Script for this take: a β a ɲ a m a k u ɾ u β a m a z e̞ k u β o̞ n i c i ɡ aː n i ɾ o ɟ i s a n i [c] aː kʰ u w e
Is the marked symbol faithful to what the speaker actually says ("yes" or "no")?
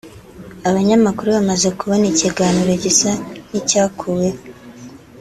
yes